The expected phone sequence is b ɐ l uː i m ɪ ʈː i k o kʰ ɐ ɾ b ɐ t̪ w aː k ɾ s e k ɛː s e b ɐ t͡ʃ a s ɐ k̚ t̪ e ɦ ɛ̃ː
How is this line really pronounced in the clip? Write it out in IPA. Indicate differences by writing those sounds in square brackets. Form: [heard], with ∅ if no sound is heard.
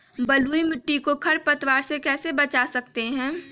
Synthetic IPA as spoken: b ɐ l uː i m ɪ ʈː i k o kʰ ɐ ɾ [p] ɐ t̪ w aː [∅] ɾ s e k ɛː s e b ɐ t͡ʃ a s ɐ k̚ t̪ e ɦ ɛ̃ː